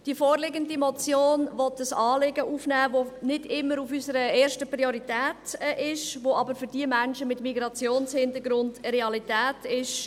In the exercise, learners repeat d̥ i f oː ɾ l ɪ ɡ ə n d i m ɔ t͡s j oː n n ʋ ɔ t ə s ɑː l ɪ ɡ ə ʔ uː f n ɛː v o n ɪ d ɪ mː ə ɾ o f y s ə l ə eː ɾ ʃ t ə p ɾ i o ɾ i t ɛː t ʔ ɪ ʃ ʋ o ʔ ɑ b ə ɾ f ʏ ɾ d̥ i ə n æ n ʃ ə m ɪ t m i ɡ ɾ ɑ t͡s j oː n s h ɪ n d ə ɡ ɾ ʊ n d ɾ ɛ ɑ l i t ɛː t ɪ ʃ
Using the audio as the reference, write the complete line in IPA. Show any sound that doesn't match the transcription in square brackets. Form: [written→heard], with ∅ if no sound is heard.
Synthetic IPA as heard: d̥ i f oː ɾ l ɪ ɡ ə n d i m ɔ t͡s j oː n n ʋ ɔ t ə s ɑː l ɪ ɡ ə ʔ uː f n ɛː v o n ɪ d ɪ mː ə ɾ [o→u] f y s ə [l→ɾ] ə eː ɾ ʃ t ə p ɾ i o ɾ i t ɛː t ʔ ɪ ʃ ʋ o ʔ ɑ b ə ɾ f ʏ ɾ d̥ i ə [n→m] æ n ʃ ə m ɪ t m i ɡ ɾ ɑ t͡s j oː n s h ɪ n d ə ɡ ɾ ʊ n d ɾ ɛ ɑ l i t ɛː t ɪ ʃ